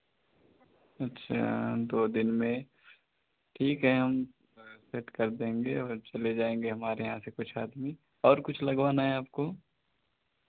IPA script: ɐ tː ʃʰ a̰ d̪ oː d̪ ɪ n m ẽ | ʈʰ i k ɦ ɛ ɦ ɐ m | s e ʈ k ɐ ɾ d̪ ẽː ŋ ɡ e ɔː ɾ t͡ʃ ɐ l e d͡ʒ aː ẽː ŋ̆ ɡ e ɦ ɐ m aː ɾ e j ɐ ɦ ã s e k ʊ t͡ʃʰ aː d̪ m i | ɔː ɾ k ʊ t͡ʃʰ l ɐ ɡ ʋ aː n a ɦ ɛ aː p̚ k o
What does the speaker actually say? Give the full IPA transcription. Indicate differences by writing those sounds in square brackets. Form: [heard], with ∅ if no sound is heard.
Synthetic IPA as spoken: ɐ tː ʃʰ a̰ d̪ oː d̪ ɪ n m ẽ | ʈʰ [iː] k ɦ ɛ ɦ ɐ m | s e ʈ k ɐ ɾ d̪ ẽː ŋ ɡ e ɔː ɾ t͡ʃ ɐ l e d͡ʒ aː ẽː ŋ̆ ɡ e ɦ ɐ m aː ɾ e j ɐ ɦ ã s e k ʊ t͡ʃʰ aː d̪ m i | ɔː ɾ k ʊ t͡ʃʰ l ɐ ɡ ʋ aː n a ɦ ɛ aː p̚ k o